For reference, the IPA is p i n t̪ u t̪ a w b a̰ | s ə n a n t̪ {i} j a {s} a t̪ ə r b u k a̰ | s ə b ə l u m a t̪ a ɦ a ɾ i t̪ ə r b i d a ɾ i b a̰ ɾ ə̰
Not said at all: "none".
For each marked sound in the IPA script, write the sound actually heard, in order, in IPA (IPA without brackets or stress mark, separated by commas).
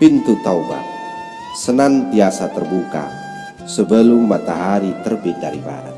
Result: i, s